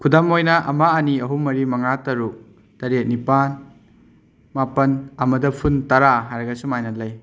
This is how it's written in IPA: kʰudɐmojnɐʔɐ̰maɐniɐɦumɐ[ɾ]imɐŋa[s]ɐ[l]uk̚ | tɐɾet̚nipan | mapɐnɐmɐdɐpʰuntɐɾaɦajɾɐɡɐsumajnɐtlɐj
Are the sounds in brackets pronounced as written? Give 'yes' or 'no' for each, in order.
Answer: yes, no, no

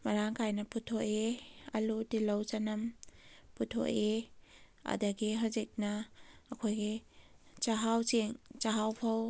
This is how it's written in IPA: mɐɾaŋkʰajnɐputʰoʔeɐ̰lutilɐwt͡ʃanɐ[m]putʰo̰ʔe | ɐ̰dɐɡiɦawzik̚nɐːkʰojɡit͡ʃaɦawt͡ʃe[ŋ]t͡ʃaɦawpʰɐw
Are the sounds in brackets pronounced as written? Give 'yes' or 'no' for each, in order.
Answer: yes, yes

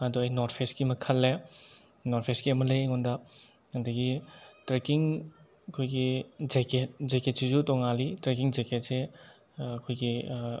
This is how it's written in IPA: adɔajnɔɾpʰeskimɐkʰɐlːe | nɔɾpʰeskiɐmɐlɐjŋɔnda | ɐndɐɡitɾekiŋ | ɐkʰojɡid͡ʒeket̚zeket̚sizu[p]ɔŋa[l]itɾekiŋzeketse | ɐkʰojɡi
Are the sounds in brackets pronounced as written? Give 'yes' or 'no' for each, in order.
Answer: no, yes

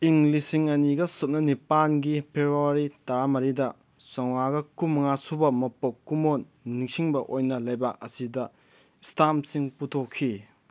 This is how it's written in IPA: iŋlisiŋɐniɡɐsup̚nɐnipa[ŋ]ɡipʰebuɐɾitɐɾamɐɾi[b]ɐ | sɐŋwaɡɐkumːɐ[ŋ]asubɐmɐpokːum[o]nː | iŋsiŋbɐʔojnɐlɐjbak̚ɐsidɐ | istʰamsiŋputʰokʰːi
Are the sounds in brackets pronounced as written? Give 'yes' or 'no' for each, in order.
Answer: no, no, yes, yes

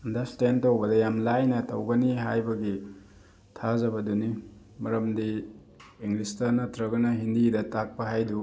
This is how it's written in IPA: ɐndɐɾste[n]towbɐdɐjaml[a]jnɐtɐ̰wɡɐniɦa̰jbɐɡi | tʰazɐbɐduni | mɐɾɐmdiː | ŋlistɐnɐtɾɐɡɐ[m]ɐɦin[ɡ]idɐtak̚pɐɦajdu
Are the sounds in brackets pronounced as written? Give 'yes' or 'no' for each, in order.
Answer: yes, yes, no, no

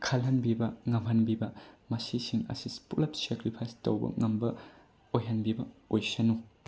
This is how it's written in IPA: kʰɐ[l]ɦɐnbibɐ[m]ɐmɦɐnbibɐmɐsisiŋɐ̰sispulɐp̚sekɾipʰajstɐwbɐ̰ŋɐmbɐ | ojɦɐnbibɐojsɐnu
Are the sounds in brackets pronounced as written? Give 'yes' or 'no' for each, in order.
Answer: yes, no

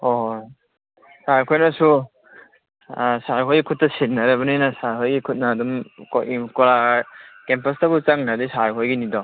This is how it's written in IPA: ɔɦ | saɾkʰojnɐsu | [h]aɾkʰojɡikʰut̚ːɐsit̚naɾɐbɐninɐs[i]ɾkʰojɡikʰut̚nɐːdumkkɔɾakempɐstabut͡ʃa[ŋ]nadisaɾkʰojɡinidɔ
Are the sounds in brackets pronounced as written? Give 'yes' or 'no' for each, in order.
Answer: no, no, yes

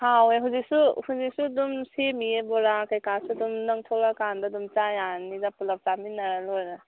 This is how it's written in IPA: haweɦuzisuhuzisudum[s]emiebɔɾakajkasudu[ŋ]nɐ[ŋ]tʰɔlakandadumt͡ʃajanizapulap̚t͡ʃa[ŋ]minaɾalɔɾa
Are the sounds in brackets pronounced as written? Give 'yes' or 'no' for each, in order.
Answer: yes, no, yes, no

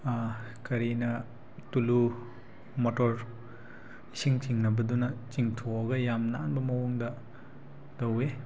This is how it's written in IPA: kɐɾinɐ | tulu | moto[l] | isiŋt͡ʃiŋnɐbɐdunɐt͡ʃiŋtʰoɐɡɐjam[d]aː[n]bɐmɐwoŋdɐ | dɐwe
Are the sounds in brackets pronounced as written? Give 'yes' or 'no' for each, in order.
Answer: no, no, yes

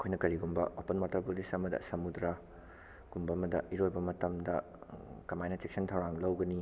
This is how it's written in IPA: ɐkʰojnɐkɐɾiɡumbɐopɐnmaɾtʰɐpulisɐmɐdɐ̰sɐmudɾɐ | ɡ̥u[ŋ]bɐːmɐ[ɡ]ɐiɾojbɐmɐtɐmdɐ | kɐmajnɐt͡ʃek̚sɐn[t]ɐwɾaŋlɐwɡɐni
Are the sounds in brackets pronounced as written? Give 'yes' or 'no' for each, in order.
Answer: no, no, no

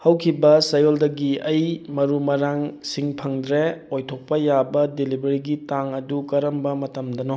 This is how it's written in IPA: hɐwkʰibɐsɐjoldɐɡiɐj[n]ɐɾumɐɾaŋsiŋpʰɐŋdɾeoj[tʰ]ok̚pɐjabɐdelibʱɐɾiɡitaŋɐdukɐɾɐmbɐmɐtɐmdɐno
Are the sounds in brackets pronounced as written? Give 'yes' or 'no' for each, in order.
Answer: no, yes

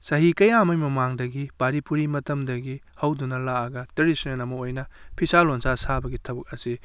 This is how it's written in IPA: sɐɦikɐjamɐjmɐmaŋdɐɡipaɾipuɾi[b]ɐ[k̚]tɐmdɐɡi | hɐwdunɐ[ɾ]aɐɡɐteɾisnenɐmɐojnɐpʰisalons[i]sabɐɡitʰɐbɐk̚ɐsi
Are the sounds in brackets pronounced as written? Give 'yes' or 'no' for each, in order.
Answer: no, no, no, no

